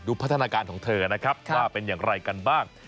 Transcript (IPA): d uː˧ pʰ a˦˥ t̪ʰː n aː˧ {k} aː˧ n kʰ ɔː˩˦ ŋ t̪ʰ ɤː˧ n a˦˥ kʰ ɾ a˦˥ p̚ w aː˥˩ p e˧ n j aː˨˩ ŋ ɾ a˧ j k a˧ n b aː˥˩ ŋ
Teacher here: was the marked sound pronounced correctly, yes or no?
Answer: yes